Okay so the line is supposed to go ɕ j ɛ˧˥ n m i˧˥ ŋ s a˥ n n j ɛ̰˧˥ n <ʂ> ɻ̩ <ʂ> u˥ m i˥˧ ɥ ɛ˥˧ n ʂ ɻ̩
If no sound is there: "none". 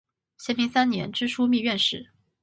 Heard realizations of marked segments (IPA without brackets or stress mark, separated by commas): ʈ͡ʂ, ʂ